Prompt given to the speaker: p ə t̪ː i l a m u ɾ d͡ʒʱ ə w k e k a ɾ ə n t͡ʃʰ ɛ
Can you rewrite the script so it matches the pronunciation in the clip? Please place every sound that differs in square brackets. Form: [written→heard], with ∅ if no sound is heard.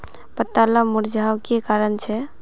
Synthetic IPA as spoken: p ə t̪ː [i→a] l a m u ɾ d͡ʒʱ [ə→a] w k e k a ɾ ə n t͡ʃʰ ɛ